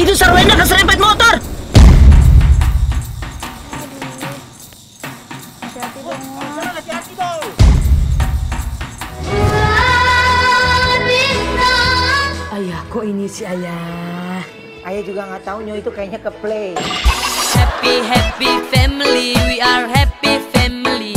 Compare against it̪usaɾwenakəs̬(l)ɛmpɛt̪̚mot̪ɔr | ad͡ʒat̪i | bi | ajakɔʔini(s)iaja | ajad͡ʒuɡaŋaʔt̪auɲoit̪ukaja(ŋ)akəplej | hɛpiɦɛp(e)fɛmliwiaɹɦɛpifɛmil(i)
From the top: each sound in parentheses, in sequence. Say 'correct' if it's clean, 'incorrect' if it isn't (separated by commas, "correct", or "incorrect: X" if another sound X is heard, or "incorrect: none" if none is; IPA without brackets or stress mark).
incorrect: ɾ, correct, incorrect: ɲ, incorrect: i, correct